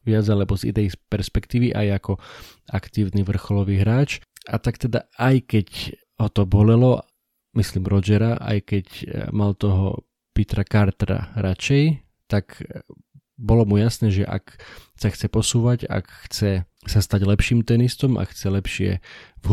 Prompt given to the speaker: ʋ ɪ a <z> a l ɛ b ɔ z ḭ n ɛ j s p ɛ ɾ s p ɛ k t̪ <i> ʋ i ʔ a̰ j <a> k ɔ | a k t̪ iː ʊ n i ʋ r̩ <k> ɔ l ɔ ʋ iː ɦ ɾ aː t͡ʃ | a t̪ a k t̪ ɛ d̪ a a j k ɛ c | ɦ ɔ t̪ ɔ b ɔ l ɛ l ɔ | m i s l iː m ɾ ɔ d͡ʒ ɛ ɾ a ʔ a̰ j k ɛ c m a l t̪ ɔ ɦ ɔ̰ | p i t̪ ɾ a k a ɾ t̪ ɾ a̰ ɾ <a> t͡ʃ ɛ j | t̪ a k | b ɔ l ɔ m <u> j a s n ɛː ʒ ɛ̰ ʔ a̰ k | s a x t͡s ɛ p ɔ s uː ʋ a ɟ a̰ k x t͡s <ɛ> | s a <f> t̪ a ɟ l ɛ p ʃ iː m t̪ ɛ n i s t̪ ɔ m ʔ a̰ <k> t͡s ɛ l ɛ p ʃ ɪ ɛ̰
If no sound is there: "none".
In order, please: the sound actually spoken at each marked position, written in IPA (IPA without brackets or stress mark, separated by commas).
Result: d͡z, iː, a, x, a, u, ɛ, s, x